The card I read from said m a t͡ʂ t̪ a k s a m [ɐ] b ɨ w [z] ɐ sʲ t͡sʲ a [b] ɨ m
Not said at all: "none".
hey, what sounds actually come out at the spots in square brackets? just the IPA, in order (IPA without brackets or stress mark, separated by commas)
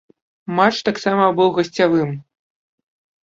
ɐ, ɣ, v